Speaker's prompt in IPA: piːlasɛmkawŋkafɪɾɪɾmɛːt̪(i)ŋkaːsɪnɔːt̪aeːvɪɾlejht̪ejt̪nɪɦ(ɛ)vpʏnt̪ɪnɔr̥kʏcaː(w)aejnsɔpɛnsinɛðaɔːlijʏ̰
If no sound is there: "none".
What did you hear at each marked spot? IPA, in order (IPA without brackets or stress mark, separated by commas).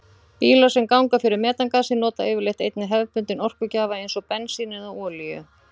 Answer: a, ɛ, v